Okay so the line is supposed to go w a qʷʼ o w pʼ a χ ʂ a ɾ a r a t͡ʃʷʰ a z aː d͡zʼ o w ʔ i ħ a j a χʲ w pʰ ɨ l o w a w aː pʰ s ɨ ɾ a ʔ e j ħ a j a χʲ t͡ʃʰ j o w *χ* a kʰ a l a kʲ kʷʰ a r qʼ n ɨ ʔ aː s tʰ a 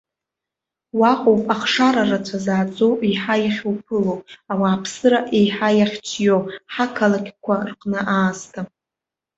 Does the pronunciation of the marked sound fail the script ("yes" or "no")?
yes